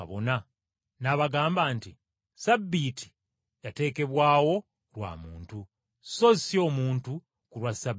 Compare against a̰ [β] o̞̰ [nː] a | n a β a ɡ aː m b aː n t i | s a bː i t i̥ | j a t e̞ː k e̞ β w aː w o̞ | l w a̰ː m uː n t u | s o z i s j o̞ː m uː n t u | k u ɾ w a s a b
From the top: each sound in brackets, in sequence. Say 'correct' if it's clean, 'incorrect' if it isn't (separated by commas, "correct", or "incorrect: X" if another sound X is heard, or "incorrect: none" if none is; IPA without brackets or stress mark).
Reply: correct, incorrect: n